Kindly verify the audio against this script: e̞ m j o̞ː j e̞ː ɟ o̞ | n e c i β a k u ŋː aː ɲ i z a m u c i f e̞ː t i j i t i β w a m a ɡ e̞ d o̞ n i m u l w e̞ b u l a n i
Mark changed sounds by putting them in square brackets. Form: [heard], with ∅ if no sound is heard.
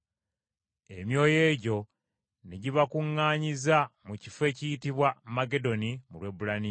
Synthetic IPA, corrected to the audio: e̞ m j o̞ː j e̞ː ɟ o̞ | n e [ɟ] i β a k u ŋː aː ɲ i z a m u c i f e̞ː [c] i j i t i β w a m a ɡ e̞ d o̞ n i m u l w e̞ b u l a n i

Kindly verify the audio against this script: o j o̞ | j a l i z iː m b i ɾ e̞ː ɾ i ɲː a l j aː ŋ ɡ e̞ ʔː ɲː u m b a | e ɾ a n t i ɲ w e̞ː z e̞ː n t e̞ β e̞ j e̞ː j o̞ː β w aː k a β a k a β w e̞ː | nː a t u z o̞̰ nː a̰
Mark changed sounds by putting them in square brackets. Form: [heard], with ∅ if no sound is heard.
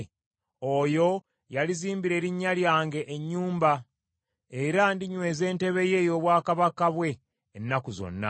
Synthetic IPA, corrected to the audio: o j o̞ | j a l i z iː m b i ɾ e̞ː ɾ i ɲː a l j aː ŋ ɡ e̞ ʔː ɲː [uː] m b a | e ɾ a n [d] i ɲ w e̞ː z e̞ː n t e̞ β e̞ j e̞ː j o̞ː β w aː k a β a k a β w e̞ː | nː a [k] u z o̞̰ nː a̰

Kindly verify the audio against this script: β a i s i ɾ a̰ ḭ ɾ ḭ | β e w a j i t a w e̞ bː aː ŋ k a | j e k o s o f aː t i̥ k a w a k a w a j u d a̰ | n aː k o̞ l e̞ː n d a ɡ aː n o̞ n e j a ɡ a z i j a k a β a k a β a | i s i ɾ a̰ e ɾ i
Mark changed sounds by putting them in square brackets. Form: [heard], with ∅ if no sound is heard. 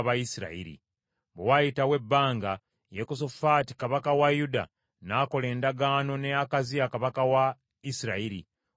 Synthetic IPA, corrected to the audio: β a i s i ɾ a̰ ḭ ɾ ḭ | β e w a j i t a w e̞ bː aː ŋ [ɡ] a | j e k o s o f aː t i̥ k a [β] a k a w a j u d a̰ | n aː k o̞ l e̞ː n d a ɡ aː n o̞ n e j a [k] a z i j a k a β a k a [w] a | i s i ɾ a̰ [i] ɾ i

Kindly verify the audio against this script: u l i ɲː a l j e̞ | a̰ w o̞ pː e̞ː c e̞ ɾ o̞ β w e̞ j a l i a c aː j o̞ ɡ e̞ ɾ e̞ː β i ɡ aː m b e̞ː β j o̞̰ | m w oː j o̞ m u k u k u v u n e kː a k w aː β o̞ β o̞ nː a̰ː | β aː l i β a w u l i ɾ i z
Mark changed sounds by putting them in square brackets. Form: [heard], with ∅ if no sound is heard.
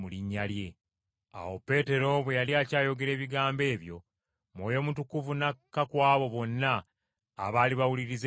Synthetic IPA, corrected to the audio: u l i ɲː a l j e̞ | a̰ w o̞ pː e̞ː [t] e̞ ɾ o̞ β w e̞ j a l i a c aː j o̞ ɡ e̞ ɾ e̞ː β i ɡ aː m b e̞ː β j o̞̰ | m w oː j o̞ m u [t] u k u v u n [a] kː a k w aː β o̞ β o̞ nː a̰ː | β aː l i β a w u l i ɾ i z

